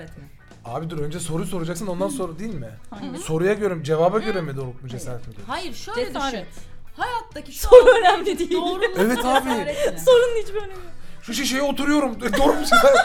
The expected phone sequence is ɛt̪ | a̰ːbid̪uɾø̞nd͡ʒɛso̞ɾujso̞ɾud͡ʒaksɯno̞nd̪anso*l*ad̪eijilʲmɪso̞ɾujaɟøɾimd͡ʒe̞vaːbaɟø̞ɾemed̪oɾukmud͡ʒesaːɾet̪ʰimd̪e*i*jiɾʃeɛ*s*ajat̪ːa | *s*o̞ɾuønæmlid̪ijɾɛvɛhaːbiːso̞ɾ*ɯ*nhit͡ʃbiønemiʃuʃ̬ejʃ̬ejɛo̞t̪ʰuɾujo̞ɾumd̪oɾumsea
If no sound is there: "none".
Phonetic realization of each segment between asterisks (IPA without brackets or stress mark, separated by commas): ɾ, a, h, s, u